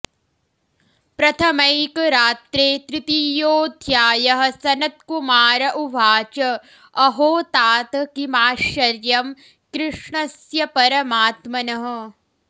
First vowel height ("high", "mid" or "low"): low